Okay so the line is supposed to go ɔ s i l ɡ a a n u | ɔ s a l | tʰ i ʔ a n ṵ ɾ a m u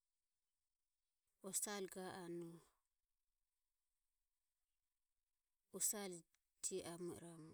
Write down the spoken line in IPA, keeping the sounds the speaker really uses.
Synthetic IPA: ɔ s a l ɡ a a n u | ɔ s a l | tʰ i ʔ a m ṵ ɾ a m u